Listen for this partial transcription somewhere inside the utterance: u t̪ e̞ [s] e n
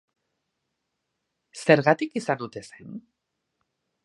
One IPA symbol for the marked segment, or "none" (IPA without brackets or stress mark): s